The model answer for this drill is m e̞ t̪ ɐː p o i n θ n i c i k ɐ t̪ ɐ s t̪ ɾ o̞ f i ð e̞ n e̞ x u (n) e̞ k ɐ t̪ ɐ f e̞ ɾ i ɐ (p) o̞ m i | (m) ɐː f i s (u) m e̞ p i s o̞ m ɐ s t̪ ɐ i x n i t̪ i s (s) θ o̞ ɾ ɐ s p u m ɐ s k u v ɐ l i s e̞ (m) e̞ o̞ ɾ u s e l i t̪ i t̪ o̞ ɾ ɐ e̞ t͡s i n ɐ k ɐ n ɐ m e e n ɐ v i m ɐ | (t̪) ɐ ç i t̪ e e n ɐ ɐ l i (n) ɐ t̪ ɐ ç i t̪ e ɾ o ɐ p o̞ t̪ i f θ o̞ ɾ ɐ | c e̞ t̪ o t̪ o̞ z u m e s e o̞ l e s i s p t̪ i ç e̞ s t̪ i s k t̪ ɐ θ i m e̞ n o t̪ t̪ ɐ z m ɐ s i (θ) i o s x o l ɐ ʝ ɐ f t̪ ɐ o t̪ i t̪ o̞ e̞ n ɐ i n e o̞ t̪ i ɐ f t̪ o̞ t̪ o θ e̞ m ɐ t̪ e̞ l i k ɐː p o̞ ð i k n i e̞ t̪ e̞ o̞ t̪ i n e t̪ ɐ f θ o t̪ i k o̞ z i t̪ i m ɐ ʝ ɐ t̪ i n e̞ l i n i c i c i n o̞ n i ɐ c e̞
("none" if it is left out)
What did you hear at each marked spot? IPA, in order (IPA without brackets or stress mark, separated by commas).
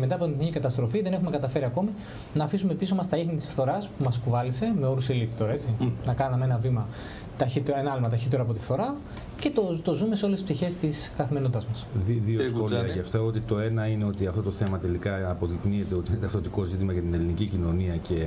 m, k, n, u, f, m, t̪, m, ð